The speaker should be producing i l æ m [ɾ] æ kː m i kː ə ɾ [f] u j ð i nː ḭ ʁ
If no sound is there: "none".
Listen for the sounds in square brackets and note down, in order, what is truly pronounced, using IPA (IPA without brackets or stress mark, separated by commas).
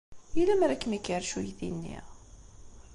ɾ, ʃ